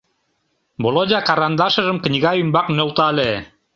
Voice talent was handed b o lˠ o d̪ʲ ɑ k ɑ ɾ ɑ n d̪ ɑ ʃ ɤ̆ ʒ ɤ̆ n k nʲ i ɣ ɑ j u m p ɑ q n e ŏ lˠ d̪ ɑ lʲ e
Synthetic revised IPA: b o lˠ o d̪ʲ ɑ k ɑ ɾ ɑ n d̪ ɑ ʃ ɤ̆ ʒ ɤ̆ m k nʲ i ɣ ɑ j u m b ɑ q n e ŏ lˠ t̪ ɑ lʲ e